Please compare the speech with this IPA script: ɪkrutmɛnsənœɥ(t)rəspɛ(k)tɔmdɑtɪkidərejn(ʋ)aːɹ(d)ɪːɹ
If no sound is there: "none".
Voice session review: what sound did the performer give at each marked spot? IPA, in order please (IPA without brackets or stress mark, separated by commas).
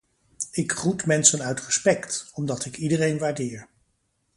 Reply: t, k, ʋ, d